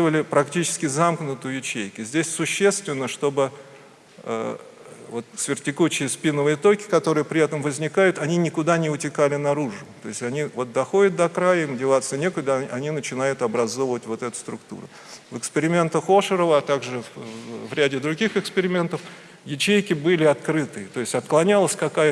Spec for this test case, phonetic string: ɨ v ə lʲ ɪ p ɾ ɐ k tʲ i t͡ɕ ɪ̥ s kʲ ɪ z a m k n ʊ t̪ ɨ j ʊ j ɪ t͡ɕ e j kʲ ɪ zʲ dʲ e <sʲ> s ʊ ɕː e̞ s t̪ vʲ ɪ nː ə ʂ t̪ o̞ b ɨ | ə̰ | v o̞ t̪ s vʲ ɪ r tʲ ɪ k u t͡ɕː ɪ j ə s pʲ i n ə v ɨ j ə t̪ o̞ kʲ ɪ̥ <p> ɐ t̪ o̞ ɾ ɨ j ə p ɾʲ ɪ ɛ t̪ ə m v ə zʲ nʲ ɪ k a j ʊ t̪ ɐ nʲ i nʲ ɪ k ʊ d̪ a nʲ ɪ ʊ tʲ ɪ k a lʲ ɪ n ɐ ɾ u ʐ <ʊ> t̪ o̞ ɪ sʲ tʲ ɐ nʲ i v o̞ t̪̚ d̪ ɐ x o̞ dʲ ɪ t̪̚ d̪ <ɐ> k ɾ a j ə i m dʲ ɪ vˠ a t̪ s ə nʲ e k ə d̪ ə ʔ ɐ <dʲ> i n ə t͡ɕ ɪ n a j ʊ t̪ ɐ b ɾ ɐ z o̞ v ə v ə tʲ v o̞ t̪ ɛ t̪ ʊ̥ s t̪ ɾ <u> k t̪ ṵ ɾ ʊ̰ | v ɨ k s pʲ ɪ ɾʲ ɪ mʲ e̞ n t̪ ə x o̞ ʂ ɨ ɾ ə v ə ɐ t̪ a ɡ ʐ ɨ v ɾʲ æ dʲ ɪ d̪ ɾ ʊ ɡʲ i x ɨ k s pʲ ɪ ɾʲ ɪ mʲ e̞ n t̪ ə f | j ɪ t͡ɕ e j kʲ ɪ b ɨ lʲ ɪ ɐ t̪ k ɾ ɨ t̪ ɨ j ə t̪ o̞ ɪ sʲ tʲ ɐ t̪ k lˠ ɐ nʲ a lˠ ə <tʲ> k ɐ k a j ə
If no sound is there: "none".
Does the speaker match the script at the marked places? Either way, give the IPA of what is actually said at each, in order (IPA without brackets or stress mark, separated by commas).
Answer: sʲ, k, ʊ, ɐ, nʲ, ʊ, sʲ